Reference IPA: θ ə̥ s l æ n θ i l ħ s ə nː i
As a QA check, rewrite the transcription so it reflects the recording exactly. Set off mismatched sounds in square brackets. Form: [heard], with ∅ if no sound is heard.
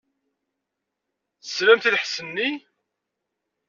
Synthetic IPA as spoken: θ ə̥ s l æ [m] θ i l ħ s ə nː i